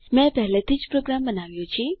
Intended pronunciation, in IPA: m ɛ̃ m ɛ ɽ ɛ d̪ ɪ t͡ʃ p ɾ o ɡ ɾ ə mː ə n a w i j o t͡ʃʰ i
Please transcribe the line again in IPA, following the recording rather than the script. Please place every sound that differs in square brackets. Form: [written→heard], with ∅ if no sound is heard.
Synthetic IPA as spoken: m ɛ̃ [m→b] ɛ [ɽ→l] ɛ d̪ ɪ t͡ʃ p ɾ o ɡ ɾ [ə→a] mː ə n a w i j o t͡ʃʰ i